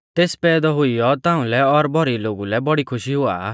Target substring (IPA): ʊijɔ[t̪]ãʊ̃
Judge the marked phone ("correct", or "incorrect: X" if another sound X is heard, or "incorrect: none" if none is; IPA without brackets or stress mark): correct